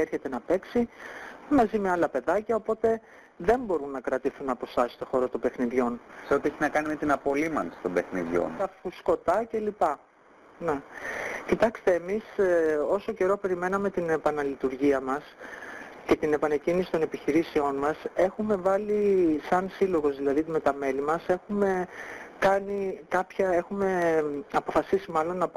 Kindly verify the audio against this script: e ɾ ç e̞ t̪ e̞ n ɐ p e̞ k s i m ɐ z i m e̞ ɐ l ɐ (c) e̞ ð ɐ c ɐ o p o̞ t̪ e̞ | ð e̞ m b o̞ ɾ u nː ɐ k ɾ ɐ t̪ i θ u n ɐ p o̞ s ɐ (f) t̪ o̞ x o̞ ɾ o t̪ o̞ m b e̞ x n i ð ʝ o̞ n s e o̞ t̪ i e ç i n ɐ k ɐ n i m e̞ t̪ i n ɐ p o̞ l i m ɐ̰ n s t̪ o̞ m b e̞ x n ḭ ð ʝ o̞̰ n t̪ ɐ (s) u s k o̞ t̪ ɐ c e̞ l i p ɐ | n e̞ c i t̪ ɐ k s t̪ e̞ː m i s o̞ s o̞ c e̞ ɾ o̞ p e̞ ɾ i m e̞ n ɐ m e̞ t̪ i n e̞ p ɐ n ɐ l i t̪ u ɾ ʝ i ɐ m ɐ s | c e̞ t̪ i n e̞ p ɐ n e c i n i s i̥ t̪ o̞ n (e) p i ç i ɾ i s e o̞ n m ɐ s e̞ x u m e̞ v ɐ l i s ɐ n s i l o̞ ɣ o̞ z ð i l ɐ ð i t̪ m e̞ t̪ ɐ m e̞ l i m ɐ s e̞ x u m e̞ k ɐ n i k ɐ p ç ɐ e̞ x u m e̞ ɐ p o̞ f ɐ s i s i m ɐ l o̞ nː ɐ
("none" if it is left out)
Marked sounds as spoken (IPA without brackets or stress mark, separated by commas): p, s, f, e